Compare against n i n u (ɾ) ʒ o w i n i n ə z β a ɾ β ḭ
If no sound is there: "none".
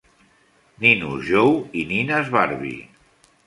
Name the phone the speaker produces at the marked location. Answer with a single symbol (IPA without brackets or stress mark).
none